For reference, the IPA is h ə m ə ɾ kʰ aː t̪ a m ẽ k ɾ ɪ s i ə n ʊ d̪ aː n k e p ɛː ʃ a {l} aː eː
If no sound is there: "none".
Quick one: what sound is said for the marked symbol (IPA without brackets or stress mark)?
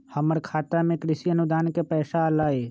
l